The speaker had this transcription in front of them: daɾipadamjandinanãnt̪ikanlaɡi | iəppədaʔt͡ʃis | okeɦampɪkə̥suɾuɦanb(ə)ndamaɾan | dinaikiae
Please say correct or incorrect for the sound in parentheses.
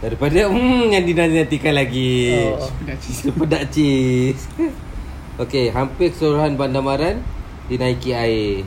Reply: incorrect